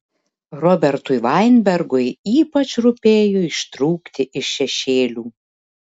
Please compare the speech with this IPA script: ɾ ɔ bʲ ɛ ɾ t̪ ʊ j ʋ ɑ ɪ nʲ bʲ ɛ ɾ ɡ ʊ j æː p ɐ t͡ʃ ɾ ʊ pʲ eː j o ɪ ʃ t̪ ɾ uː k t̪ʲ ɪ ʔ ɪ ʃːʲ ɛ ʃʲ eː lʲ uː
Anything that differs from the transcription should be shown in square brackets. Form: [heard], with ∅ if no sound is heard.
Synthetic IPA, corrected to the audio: ɾ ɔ bʲ ɛ ɾ t̪ ʊ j ʋ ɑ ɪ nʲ bʲ ɛ ɾ ɡ ʊ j [iː] p ɐ t͡ʃ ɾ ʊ pʲ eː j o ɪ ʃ t̪ ɾ uː k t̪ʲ ɪ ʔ ɪ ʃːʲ ɛ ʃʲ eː lʲ uː